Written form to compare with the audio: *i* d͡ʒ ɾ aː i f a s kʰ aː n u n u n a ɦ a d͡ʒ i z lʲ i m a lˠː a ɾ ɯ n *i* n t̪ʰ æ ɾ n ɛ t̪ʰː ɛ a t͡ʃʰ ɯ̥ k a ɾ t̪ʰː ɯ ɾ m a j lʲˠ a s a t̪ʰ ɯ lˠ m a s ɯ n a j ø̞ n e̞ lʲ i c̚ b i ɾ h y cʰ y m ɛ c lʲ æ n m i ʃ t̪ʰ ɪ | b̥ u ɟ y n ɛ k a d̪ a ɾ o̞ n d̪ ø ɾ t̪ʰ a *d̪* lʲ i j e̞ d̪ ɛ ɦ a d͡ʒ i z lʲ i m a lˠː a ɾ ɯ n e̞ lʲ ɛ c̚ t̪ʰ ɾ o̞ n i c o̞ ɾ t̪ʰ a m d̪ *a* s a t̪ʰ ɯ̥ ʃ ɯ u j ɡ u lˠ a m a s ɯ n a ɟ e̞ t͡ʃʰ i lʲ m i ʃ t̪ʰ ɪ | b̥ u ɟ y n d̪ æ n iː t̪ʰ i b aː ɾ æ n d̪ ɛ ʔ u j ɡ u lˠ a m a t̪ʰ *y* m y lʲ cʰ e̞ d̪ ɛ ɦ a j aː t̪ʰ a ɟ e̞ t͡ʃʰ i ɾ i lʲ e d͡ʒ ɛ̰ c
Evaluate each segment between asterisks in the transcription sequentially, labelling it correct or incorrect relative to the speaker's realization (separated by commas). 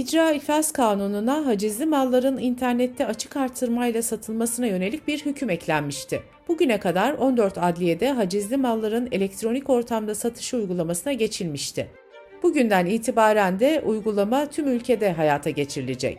correct, correct, correct, correct, correct